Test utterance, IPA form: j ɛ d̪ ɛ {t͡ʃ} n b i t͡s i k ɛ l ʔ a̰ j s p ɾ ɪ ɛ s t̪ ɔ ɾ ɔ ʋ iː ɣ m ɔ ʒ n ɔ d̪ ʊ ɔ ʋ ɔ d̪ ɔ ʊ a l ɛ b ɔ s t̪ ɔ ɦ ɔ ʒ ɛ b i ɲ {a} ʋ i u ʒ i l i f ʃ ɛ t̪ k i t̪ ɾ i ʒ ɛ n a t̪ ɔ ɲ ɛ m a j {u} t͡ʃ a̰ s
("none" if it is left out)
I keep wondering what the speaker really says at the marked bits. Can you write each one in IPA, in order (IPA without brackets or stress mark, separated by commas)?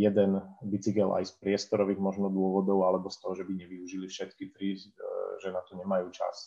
none, ɛ, uː